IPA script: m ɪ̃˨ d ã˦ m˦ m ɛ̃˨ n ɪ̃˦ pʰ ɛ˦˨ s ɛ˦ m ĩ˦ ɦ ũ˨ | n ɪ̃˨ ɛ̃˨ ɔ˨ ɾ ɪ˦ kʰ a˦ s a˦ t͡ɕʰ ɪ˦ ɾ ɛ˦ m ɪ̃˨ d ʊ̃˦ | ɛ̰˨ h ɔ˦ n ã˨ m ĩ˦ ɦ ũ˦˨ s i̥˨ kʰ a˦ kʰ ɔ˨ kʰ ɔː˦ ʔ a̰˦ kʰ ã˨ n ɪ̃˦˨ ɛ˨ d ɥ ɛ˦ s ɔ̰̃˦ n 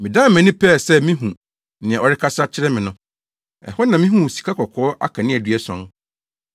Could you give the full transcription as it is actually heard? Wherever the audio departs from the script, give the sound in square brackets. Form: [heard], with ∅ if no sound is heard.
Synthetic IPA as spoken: m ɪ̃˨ d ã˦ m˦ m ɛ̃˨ n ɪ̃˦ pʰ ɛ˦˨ s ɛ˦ m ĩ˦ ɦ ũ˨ | n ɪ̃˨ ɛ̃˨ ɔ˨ ɾ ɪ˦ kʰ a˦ s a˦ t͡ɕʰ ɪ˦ ɾ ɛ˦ m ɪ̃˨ [n] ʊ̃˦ | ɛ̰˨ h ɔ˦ n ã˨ m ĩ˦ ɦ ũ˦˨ s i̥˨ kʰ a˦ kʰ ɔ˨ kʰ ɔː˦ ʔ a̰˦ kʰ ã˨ n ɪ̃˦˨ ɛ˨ d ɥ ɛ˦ s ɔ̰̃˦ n